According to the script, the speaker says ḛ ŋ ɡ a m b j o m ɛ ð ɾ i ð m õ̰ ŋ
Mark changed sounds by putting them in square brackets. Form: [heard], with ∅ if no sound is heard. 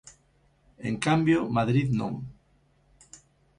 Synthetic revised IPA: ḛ ŋ [k] a m b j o m [a] ð ɾ i ð [n] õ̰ ŋ